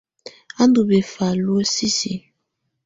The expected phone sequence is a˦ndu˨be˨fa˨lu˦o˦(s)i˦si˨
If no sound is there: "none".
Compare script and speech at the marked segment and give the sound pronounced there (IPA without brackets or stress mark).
s